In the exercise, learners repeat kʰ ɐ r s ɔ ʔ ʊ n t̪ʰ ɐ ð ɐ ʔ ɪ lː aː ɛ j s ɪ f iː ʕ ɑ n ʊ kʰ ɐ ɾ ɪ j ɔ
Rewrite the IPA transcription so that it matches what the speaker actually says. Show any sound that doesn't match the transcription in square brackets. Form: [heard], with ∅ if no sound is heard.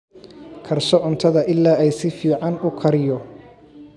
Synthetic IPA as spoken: kʰ ɐ r s ɔ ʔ ʊ n t̪ʰ ɐ ð ɐ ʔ ɪ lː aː ɛ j s ɪ f iː ʕ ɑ n ʊ kʰ ɐ ɾ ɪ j ɔ